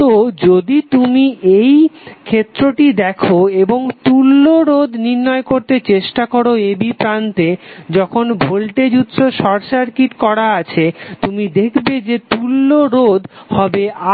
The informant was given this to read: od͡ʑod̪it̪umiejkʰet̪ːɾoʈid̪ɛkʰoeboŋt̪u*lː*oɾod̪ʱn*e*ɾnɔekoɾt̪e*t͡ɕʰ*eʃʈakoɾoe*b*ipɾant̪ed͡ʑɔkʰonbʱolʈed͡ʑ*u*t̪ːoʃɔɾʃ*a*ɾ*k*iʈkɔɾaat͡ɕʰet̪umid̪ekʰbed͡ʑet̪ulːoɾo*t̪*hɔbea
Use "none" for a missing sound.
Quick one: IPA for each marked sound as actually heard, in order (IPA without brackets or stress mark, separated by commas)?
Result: lː, i, t͡ɕ, b, u, a, k, d̪